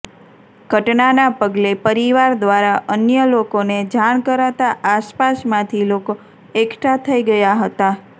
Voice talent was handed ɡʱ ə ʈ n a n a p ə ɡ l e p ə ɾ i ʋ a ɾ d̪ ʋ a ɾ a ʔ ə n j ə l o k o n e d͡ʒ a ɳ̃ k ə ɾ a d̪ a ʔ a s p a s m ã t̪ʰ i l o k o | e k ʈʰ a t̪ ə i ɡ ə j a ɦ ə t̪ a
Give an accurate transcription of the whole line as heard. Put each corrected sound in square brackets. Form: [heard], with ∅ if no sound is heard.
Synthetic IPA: ɡʱ ə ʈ n a n a p ə ɡ l e p ə ɾ i ʋ a ɾ d̪ ʋ a ɾ a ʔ ə n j ə l o k o n e d͡ʒ a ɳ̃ k ə ɾ a [t̪] a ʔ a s p a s m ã t̪ʰ i l o k o | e k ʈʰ a [t̪ʰ] ə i ɡ ə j a ɦ ə t̪ a